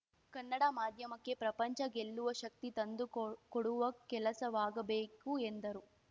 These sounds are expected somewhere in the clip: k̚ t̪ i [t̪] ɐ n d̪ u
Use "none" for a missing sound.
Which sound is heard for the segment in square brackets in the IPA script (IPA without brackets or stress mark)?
t̪